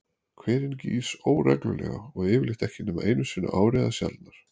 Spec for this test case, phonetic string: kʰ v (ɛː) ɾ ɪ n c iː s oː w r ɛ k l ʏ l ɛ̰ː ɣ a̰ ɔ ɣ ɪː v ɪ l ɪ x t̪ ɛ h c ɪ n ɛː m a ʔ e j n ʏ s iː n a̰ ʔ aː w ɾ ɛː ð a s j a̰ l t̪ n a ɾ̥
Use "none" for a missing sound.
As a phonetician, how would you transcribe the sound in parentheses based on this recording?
ɛː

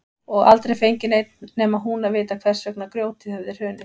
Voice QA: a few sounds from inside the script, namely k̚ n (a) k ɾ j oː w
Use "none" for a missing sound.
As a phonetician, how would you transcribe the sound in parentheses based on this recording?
a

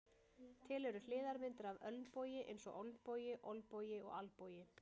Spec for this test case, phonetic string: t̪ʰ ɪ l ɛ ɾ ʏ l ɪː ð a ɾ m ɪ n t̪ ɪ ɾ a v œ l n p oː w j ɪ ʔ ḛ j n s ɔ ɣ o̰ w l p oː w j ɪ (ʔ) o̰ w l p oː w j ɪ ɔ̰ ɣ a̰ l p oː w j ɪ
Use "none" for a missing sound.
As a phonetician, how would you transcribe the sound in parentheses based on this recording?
ʔ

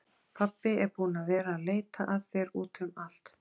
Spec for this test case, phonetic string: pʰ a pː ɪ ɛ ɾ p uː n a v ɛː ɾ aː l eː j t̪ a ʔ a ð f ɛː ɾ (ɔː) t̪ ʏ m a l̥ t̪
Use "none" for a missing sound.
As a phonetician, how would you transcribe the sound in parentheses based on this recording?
uː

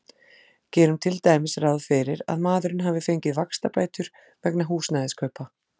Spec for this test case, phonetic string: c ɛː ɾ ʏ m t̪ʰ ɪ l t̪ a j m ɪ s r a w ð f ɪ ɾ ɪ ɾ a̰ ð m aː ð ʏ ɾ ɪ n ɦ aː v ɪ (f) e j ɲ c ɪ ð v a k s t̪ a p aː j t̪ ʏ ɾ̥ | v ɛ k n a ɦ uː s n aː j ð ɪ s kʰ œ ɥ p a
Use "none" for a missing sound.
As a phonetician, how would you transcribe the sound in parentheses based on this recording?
f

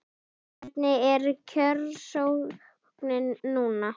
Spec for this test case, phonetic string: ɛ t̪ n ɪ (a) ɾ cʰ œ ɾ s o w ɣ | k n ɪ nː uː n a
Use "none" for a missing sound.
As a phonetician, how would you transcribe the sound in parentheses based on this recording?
ɛ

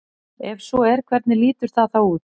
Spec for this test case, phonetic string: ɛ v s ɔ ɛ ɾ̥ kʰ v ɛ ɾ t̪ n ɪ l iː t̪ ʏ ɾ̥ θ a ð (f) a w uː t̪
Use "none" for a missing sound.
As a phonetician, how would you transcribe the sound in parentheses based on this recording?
θ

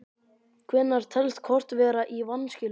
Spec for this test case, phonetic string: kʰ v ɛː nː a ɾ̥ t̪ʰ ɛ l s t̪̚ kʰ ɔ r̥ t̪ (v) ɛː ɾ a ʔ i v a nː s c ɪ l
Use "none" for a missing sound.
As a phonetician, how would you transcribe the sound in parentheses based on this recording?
v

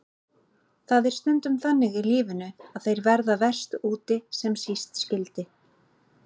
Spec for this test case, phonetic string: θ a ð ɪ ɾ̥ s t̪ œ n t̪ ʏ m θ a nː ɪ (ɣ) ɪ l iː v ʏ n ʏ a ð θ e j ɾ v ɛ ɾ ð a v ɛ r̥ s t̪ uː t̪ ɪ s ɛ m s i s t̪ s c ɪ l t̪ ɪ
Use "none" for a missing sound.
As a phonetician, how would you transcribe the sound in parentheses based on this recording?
ɣ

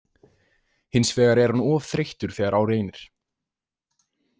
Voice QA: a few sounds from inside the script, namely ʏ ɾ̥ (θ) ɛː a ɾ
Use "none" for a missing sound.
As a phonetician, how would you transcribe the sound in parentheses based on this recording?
θ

